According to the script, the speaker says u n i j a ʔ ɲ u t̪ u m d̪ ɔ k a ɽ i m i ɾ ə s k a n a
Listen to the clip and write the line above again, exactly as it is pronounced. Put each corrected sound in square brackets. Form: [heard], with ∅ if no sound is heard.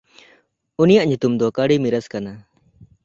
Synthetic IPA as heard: u n i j a ʔ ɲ u t̪ u m d̪ ɔ k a ɽ i m i ɾ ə s k a n a